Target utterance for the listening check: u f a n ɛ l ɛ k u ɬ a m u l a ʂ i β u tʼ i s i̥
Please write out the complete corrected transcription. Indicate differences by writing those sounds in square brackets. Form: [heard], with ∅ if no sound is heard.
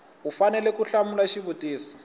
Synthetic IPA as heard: u f a n ɛ l ɛ k u ɬ a m u l a [ʃ] i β u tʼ [iː] s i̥

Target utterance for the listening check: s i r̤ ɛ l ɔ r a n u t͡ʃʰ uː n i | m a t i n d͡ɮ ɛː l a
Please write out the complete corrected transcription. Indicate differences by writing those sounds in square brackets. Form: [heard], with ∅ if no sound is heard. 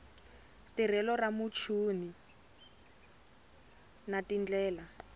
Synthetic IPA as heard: [t] i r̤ ɛ l ɔ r a [m] u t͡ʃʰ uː n i | [n] a t i n d͡ɮ ɛː l a

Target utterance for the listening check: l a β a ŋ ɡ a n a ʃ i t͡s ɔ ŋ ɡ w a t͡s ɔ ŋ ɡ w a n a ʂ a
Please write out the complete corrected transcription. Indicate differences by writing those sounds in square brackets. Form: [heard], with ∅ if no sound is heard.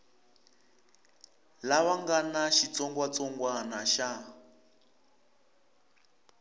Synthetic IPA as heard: l a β a ŋ ɡ a n a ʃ i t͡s ɔ ŋ ɡ w a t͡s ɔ ŋ ɡ w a n a [ʃ] a

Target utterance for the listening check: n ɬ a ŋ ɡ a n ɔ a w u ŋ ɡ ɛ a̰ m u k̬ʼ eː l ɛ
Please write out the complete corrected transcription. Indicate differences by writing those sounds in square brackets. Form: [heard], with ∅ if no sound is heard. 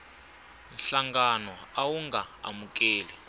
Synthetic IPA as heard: n ɬ a ŋ ɡ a n ɔ a w u ŋ ɡ [a] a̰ m u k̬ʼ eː l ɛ

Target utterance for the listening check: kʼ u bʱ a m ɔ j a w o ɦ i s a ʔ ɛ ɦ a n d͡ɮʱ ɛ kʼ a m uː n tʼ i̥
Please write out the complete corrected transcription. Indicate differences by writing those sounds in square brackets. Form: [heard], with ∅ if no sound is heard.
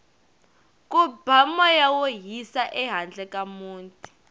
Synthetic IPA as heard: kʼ u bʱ a m ɔ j a w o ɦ i s a ʔ ɛ ɦ a n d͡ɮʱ ɛ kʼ a m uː n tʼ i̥

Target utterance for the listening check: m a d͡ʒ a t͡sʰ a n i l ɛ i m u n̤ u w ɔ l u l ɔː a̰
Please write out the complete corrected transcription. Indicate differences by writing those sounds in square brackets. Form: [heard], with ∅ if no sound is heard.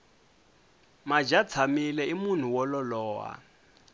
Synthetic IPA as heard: m a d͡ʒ a t͡sʰ a [m] i l ɛ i m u n̤ u w ɔ l [ɔ] l ɔː a̰

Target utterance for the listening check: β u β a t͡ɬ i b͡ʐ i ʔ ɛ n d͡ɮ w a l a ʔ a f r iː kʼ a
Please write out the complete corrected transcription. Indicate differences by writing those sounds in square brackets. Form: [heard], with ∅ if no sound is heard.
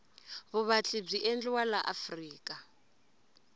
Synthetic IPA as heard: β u β a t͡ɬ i b͡ʐ i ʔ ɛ n d͡ɮ w a l a ʔ a f r iː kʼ a

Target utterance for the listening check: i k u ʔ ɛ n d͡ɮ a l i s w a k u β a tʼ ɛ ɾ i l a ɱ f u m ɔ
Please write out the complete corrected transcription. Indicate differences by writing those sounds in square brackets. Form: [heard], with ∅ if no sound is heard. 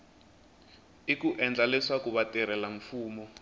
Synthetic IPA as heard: i k u ʔ ɛ n d͡ɮ a l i s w a k u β a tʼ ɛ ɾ [ɛ] l a ɱ f [uː] m ɔ

